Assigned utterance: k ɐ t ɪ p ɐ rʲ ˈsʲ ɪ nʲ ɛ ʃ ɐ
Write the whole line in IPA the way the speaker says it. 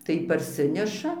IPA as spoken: t ɐ ɪ p ɐ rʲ ˈsʲ ɪ nʲ ɛ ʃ ɐ